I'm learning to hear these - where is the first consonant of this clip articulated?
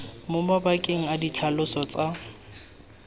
lips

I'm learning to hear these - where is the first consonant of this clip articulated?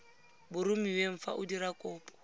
lips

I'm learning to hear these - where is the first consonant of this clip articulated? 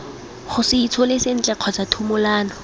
uvula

